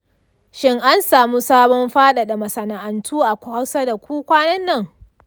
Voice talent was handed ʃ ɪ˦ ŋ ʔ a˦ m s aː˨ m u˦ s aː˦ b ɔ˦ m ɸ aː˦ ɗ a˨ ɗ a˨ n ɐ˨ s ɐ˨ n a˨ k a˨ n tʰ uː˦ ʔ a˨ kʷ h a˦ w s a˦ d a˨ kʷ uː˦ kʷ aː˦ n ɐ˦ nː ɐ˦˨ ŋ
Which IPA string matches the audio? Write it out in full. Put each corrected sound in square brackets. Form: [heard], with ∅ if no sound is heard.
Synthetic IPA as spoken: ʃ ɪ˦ ŋ ʔ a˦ [n] s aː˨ m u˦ s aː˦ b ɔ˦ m ɸ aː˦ ɗ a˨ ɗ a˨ [m] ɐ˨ s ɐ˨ n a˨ [ʔ] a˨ n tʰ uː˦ ʔ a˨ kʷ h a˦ w s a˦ d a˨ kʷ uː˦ kʷ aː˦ n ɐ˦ nː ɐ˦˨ ŋ

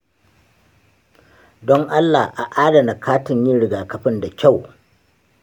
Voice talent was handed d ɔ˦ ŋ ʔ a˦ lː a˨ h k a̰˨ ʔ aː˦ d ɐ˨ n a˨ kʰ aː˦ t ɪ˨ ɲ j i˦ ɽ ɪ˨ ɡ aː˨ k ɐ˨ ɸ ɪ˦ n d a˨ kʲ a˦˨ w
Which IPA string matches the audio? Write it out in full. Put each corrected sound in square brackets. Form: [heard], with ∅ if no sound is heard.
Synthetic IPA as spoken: d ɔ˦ ŋ ʔ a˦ lː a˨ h [ʔ] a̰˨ ʔ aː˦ d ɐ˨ n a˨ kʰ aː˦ t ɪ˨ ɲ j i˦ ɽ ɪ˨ ɡ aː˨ k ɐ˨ ɸ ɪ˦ n d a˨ kʲ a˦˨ w

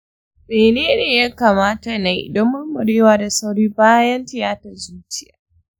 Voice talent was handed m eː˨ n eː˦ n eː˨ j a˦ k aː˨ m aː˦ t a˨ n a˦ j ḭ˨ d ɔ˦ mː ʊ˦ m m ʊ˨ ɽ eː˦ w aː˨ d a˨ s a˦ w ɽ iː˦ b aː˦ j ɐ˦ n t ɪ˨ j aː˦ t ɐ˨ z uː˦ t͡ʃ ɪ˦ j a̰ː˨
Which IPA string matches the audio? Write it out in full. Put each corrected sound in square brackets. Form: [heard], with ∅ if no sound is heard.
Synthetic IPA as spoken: m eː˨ n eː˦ n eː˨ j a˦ k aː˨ m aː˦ t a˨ n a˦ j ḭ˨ d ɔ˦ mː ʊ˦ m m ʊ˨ ɽ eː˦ w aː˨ d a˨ s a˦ w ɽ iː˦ b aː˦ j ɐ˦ n t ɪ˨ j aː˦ t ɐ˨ z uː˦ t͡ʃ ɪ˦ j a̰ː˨

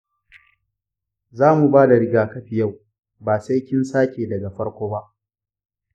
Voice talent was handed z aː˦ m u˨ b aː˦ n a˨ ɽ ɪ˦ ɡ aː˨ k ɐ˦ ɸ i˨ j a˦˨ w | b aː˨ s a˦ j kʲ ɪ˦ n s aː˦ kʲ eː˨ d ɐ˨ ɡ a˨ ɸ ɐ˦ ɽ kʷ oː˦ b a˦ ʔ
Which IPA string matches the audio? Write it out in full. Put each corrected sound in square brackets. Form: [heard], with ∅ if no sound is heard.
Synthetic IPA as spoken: z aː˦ m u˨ b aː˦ [d] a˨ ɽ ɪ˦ ɡ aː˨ k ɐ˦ ɸ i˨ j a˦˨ w | b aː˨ s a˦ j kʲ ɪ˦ n s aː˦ kʲ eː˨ d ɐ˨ ɡ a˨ ɸ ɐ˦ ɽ kʷ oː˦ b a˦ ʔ

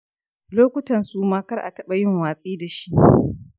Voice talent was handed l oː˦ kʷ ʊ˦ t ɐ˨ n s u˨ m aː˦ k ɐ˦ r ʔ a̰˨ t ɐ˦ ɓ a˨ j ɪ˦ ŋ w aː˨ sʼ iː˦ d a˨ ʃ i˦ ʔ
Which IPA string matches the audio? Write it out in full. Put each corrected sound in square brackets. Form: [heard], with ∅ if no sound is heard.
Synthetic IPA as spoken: l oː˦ kʷ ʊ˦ t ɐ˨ n s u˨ m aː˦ k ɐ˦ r ʔ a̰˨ t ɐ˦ ɓ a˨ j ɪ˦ ŋ w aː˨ sʼ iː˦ d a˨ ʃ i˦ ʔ

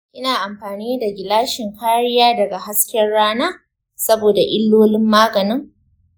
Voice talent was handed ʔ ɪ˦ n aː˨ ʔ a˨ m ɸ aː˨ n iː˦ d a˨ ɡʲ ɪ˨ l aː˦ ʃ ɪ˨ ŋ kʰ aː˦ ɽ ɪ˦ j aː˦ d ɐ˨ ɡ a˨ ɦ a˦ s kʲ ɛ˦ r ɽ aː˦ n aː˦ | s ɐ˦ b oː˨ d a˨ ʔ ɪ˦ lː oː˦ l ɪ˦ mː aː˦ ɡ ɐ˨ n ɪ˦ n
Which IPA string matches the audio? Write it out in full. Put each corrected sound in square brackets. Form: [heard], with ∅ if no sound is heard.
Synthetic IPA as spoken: ʔ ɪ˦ n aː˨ ʔ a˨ m ɸ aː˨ n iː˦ d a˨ ɡʲ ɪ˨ l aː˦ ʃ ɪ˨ ŋ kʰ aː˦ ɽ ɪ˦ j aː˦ d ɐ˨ ɡ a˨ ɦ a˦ s kʲ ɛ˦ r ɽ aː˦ n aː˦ | s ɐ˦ b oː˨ d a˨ ʔ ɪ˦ lː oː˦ l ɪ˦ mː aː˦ ɡ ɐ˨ n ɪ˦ [ŋ]

